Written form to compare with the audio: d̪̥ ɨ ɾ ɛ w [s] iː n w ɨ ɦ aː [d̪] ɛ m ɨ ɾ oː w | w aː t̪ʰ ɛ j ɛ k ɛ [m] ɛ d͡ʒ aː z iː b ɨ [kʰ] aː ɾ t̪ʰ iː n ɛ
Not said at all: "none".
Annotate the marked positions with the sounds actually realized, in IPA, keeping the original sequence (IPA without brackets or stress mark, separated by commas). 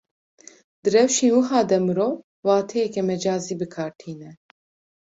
ʃ, d̪, m, kʰ